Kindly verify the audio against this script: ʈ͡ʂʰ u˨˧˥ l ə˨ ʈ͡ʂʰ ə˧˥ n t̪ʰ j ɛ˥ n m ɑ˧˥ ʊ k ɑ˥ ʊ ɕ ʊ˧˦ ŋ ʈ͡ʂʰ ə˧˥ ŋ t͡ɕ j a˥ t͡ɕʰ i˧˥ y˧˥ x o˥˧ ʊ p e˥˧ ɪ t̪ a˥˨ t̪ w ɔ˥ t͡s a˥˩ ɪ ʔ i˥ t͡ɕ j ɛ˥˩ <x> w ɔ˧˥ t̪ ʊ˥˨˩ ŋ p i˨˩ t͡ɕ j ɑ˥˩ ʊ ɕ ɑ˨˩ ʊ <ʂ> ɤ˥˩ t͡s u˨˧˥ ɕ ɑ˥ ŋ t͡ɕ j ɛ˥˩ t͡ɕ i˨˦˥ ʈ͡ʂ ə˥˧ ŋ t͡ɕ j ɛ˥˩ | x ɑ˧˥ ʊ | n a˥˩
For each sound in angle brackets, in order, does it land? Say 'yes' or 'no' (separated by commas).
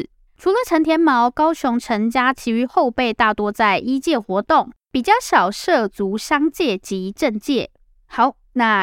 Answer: yes, yes